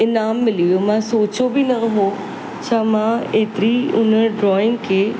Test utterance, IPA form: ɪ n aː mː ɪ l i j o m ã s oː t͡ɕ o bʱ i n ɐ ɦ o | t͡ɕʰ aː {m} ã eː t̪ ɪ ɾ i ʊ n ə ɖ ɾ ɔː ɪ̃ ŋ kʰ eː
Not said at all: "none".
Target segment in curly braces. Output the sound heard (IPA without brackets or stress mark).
m